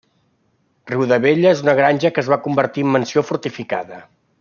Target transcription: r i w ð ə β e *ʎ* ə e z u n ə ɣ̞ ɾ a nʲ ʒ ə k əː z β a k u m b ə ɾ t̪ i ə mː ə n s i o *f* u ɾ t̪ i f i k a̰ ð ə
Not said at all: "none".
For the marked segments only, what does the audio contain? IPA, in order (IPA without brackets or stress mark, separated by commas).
ʎ, f